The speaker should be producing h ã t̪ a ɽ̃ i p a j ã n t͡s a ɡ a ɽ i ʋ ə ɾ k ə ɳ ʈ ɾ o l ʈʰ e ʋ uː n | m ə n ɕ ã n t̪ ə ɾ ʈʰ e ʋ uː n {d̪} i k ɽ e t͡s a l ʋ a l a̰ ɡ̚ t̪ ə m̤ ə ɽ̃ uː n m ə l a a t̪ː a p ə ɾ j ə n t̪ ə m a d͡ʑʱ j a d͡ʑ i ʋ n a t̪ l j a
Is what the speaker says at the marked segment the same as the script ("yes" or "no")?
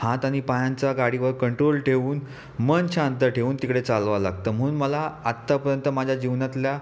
no